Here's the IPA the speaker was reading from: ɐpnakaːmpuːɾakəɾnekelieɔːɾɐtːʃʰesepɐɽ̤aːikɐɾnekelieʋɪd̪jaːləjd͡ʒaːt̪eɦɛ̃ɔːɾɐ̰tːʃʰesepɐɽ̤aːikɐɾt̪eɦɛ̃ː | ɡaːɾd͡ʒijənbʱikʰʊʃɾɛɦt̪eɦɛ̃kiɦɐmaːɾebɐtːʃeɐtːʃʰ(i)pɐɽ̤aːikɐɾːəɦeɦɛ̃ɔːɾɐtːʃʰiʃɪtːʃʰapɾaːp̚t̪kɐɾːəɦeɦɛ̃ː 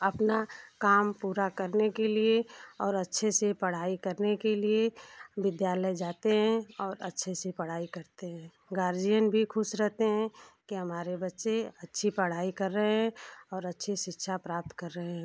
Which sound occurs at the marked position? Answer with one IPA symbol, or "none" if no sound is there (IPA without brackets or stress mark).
i